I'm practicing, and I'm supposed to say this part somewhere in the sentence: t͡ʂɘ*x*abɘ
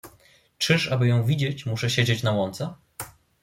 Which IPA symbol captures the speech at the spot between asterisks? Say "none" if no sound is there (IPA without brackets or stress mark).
ʂ